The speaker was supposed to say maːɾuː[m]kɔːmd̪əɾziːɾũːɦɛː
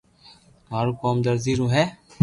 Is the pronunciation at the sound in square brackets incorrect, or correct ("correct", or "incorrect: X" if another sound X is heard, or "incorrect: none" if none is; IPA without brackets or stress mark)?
incorrect: none